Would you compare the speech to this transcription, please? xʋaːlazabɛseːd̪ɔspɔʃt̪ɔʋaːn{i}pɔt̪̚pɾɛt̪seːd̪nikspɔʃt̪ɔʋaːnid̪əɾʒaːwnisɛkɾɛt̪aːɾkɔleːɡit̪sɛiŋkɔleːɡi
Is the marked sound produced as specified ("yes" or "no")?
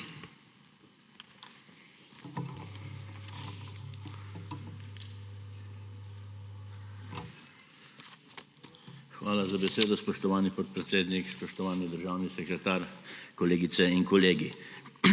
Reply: yes